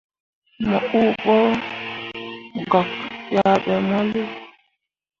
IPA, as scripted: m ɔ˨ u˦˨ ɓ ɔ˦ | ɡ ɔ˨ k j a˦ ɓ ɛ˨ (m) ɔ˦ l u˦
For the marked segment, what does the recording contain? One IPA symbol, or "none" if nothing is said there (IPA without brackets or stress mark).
m